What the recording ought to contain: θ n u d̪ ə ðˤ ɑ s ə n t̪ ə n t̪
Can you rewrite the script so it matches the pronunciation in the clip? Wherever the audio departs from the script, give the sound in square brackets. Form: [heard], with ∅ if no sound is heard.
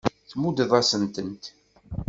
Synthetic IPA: θ [m] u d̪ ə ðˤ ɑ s ə n t̪ ə n t̪